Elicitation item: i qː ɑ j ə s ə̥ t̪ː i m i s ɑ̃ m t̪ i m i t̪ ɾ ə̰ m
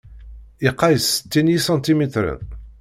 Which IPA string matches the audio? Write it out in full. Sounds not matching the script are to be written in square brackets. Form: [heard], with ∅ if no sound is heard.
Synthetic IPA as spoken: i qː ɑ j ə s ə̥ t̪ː i [n] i s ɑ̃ [n] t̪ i m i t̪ ɾ ə̰ [n]